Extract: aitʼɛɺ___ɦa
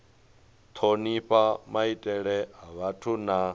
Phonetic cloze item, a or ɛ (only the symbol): ɛ